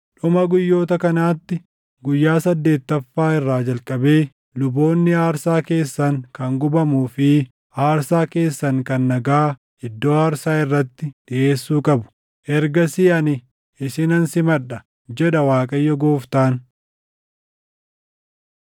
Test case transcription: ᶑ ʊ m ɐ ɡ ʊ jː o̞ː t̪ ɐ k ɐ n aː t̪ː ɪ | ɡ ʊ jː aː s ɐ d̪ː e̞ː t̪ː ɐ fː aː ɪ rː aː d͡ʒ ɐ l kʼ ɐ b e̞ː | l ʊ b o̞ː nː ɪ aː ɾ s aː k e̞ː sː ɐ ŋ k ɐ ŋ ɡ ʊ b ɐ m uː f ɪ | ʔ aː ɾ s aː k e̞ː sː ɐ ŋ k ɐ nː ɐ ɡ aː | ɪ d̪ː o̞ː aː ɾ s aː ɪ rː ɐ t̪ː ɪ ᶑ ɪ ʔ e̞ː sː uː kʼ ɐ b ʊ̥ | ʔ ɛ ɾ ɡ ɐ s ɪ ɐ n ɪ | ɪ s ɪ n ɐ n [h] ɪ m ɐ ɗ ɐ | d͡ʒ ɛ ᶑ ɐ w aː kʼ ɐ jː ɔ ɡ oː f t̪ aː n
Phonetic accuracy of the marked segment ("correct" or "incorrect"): incorrect